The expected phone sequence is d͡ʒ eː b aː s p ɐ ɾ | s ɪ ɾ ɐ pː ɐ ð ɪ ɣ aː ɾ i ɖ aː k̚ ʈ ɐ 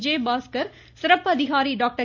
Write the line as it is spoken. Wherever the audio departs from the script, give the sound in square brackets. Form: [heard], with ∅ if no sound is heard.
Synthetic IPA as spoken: d͡ʒ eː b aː s [k] ɐ ɾ | s ɪ ɾ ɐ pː ɐ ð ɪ ɣ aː ɾ i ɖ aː k̚ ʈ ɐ

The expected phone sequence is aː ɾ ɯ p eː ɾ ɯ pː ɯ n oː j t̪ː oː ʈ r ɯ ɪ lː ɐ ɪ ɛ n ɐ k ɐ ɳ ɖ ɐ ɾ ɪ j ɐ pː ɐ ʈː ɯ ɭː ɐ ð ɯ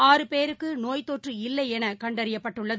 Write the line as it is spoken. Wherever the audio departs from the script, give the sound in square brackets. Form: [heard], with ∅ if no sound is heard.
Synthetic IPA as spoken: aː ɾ ɯ p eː ɾ ɯ [kː] ɯ n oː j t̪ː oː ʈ r ɯ ɪ lː ɐ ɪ ɛ n ɐ k ɐ ɳ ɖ ɐ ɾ ɪ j ɐ pː ɐ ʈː ɯ ɭː ɐ ð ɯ

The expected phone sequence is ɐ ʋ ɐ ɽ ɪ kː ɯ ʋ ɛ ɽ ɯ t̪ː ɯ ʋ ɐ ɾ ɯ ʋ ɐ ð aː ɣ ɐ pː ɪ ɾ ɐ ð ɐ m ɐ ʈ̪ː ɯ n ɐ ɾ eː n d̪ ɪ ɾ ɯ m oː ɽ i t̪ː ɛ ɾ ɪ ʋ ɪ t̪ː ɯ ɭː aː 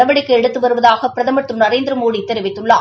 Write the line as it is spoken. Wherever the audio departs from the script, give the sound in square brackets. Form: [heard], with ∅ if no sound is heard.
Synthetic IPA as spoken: ɐ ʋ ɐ ɽ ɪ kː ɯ [∅] ɛ ɽ ɯ t̪ː ɯ ʋ ɐ ɾ ɯ ʋ ɐ ð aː ɣ ɐ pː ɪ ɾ ɐ ð ɐ m ɐ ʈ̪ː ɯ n ɐ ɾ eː n d̪ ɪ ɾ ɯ m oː ɽ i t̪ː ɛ ɾ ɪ ʋ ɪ t̪ː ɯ ɭː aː

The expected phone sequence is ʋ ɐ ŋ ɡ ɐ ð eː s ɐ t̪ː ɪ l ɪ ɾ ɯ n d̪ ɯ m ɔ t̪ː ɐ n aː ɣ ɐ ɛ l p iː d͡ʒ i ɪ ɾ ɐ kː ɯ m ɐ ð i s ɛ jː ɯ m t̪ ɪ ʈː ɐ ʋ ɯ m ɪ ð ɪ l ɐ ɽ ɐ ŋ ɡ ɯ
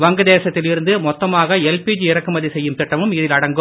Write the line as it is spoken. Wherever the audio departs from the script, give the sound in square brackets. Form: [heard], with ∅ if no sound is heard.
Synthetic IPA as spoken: ʋ ɐ ŋ ɡ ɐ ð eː s ɐ t̪ː ɪ l ɪ ɾ ɯ n d̪ ɯ m ɔ t̪ː ɐ [m] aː ɣ ɐ ɛ l p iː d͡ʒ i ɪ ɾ ɐ kː ɯ m ɐ ð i s ɛ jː ɯ m t̪ ɪ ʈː ɐ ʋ ɯ m ɪ ð ɪ l ɐ ɽ ɐ ŋ ɡ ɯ

